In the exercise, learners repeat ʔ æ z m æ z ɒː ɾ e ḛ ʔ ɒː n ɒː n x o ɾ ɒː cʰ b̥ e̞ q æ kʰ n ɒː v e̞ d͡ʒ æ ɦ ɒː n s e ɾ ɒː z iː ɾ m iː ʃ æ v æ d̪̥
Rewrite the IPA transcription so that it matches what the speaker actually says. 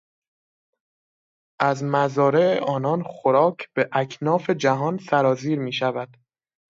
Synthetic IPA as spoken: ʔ æ z m æ z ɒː ɾ e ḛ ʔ ɒː n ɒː n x o ɾ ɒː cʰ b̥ e̞ ʔ æ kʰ n ɒː f e̞ d͡ʒ æ ɦ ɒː n s æ ɾ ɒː z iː ɾ m iː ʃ æ v æ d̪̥